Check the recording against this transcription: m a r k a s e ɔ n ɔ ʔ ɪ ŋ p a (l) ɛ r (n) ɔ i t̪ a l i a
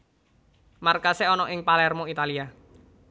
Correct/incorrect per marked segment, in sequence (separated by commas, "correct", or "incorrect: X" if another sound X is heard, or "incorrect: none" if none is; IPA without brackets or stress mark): correct, incorrect: m